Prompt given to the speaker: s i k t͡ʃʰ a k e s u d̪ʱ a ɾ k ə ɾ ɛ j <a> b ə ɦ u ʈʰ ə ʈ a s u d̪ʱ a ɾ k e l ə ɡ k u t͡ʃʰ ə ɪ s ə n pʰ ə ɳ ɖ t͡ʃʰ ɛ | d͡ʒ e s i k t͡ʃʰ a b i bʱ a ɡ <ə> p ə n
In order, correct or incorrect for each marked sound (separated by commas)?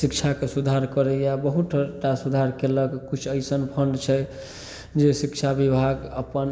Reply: correct, correct